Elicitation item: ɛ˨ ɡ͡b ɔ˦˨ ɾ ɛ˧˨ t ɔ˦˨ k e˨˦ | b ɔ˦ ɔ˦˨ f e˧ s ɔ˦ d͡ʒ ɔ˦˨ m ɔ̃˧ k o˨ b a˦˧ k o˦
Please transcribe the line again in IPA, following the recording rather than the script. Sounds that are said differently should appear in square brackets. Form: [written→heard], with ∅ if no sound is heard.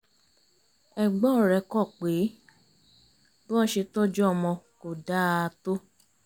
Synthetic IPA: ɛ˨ ɡ͡b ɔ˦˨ ɾ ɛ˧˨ [t→k] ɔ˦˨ [k→k͡p] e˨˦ | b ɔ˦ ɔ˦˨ [f→ʃ] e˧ [s→t] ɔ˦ d͡ʒ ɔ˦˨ m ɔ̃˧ k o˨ [b→d] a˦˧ [k→t] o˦